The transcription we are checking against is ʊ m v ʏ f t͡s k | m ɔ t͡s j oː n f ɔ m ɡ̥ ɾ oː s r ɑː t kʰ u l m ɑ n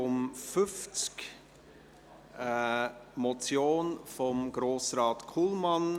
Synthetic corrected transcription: ʊ m f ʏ f t͡s k | m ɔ t͡s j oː n f ɔ m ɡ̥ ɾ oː s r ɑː t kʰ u l m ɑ n

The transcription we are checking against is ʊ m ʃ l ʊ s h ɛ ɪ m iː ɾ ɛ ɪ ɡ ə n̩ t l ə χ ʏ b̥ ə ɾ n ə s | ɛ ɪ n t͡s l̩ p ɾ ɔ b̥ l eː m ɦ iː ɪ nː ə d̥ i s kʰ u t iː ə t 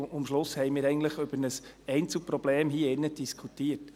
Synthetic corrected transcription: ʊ m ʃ l ʊ s h ɛ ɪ m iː ɾ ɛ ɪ ɡ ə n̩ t l ə χ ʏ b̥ ə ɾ n ə s | ɛ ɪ n t͡s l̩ p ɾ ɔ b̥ l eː m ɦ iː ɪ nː ə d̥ i s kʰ u t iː ə t

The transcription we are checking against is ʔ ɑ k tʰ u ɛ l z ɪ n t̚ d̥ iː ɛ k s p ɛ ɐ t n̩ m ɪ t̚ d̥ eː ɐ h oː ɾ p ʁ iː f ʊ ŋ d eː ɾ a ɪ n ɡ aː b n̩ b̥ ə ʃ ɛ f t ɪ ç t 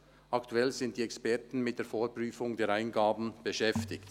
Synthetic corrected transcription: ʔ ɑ k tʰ u ɛ l z ɪ n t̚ d̥ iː ɛ k s p ɛ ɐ t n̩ m ɪ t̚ d̥ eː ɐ f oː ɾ p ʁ yː f ʊ ŋ d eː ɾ a ɪ n ɡ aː b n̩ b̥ ə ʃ ɛ f t ɪ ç t

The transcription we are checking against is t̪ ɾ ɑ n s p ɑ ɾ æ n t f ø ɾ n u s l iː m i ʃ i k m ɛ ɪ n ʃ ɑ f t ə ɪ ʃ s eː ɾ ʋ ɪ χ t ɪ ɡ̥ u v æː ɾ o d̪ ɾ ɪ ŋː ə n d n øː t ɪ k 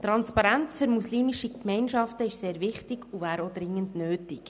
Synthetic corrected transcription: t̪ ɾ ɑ n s p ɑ ɾ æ n t͡s f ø ɾ m u s l iː m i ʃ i k m ɛ ɪ n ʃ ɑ f t ə ɪ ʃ s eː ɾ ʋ ɪ χ t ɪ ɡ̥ u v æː ɾ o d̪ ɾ ɪ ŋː ə n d n øː t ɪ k

